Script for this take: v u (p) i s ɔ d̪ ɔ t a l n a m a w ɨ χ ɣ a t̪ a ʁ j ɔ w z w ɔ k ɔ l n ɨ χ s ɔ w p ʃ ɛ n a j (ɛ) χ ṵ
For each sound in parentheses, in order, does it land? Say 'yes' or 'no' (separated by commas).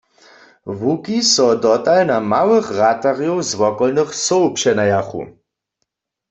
no, no